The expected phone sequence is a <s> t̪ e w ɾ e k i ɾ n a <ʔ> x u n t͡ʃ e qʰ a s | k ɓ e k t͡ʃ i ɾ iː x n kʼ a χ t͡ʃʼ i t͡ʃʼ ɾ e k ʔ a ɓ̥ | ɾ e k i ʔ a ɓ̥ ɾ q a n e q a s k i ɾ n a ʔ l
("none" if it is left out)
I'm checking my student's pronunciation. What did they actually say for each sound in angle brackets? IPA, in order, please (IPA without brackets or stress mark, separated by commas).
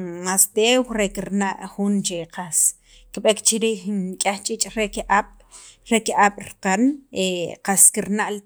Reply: s, ʔ